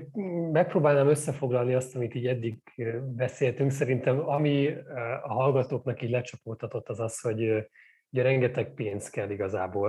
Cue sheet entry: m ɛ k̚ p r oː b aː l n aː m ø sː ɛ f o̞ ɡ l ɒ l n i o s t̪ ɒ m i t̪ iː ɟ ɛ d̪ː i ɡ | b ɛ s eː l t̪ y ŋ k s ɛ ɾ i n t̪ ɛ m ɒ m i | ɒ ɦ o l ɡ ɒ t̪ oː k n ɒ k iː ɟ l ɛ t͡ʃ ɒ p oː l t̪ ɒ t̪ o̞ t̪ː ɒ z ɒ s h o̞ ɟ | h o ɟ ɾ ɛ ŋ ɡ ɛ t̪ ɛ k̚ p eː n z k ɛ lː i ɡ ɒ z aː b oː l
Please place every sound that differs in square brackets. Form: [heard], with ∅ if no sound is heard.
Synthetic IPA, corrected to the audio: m ɛ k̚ p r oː b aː l n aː m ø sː ɛ f o̞ ɡ l ɒ l n i [ɒ] s t̪ ɒ m i t̪ iː ɟ ɛ d̪ː i ɡ | b ɛ s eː l t̪ y ŋ k s ɛ ɾ i n t̪ ɛ m ɒ m i | ɒ ɦ [ɒ] l ɡ ɒ t̪ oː k n ɒ k iː ɟ l ɛ t͡ʃ ɒ p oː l t̪ ɒ t̪ o̞ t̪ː ɒ z ɒ s h o̞ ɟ | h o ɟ ɾ ɛ ŋ ɡ ɛ t̪ ɛ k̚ p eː n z k ɛ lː i ɡ ɒ z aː b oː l